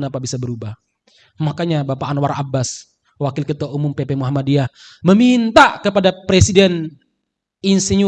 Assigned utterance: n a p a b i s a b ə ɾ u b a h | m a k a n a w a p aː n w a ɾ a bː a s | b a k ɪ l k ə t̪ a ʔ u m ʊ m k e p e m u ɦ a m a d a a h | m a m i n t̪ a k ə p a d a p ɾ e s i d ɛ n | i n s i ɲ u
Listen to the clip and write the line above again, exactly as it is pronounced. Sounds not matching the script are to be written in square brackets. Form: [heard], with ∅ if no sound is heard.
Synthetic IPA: n a p a b i s a b ə ɾ u b a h | m a k a [ɲ] a [b] a p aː n w a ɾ a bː a s | [w] a k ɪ l k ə t̪ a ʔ u m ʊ m [p] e p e m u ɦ a m a d [i] a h | m [ə] m i n t̪ a k ə p a d a p ɾ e s i d ɛ n | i n s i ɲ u

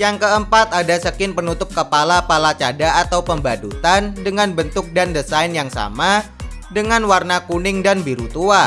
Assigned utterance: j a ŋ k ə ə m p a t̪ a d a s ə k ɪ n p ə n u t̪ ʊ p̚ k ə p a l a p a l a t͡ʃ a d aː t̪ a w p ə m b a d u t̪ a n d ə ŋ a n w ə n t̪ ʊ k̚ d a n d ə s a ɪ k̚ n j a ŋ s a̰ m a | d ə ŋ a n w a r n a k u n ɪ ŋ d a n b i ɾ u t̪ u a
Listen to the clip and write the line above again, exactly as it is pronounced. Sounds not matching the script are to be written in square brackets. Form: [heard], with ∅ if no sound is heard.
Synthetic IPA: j a ŋ k ə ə m p a t̪ a d a s ə k ɪ n p ə n u t̪ ʊ p̚ k ə p a l a p a l a t͡ʃ a d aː t̪ a w p ə m b a d u t̪ a n d ə ŋ a n [b] ə n t̪ ʊ k̚ d a n d ə s a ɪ [∅] n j a ŋ s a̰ m a | d ə ŋ a n w a r n a k u n ɪ ŋ d a n b i ɾ u t̪ u a

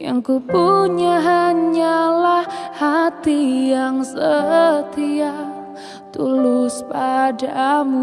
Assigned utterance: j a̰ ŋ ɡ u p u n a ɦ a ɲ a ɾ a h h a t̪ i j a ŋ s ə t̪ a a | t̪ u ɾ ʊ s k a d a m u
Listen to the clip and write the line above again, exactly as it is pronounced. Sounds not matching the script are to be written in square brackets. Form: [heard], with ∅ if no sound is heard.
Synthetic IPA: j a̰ ŋ [k] u p u [ɲ] a ɦ a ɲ a [l] a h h a t̪ i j a ŋ s ə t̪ [i] a | t̪ u [l] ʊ s [p] a d a m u

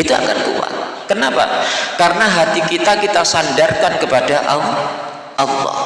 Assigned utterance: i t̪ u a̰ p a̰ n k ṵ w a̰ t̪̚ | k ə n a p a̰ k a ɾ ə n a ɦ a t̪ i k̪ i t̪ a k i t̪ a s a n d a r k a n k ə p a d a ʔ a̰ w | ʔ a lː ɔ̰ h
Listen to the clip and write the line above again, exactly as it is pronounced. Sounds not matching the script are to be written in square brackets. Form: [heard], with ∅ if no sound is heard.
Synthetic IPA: i t̪ u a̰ [k] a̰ n k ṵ w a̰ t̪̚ | k ə n a p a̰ k a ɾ ə n a ɦ a t̪ i k̪ i t̪ a k i t̪ a s a n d a r k a n k ə p a d a ʔ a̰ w | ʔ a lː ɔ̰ h

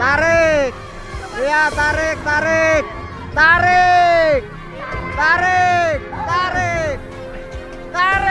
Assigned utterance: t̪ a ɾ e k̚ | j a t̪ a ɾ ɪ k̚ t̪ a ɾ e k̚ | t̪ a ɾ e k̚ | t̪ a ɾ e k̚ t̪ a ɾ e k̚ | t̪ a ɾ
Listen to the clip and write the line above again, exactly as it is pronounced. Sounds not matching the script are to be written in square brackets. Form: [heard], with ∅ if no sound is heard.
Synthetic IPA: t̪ a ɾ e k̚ | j a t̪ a ɾ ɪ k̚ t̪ a ɾ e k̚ | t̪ a ɾ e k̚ | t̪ a ɾ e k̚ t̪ a ɾ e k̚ | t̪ a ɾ

